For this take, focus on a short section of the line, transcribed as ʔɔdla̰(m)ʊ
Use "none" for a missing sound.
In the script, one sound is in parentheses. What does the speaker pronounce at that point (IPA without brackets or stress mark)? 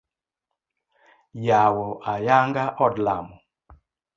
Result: m